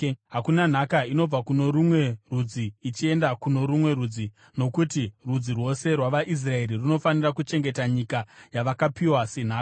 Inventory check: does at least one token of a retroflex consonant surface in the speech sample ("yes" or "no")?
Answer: no